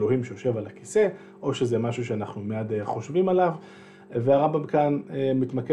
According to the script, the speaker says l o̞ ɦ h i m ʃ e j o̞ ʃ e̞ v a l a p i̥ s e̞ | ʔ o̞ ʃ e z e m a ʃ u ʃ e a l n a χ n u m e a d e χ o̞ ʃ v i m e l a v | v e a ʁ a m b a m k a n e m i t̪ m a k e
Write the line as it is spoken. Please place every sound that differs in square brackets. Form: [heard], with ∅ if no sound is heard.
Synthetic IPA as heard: l o̞ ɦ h i m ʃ e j o̞ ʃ e̞ v a l a [k] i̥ s e̞ | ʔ o̞ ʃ e z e m a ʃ u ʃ e a [∅] n a χ n u m e a d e χ o̞ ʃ v i m [a] l a v | v e a ʁ a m b a m k a n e m i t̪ m a k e